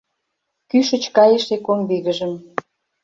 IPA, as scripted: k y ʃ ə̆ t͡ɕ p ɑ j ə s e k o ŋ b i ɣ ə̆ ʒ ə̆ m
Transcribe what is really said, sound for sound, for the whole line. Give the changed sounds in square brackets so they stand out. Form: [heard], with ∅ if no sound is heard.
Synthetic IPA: k y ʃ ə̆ t͡ɕ [k] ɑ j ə [ʃ] e k o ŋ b i ɣ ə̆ ʒ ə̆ m